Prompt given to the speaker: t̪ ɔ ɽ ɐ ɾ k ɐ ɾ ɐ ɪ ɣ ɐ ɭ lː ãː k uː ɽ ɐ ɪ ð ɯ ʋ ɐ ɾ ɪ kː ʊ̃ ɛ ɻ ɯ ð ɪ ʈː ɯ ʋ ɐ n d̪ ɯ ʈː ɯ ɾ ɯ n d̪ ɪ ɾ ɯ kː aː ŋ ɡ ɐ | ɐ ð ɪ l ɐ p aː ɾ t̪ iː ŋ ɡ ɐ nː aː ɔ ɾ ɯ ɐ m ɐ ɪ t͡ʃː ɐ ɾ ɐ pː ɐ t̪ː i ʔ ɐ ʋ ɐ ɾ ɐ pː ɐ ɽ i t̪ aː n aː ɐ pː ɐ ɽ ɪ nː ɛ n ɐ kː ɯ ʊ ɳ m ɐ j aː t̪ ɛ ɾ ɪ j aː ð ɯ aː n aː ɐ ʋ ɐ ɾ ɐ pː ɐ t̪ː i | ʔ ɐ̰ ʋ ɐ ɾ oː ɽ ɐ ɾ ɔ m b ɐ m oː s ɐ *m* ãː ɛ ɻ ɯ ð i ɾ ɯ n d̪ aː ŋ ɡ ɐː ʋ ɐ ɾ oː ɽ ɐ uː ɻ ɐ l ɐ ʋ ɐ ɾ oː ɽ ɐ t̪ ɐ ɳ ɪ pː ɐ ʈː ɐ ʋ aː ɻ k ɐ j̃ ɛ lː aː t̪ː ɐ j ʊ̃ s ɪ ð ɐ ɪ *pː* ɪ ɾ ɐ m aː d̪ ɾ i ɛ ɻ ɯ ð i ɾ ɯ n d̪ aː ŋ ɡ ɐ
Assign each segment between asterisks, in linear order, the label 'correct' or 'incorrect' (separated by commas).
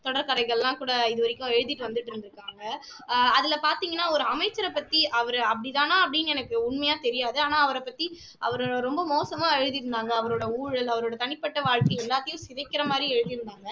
correct, incorrect